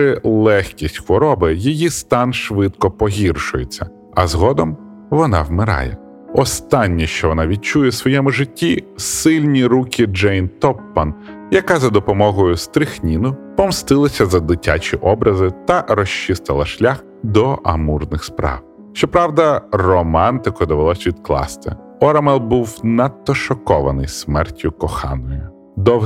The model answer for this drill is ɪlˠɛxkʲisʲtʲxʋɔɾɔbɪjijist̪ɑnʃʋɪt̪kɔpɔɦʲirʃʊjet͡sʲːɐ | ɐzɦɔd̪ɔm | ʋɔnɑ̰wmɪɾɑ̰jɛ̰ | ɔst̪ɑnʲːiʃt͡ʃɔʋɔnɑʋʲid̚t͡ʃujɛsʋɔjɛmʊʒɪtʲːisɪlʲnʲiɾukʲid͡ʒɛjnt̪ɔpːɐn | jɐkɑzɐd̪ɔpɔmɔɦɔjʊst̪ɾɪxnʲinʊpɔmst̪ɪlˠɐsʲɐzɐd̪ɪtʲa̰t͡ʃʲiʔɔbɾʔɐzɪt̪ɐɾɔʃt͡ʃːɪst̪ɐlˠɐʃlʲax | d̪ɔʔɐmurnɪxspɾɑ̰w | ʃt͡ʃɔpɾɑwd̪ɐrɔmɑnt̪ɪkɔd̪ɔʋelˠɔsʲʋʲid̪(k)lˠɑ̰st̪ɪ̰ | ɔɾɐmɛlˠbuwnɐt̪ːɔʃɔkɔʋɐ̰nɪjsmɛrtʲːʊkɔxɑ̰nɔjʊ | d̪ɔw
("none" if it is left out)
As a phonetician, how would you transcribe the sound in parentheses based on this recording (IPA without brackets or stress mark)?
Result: k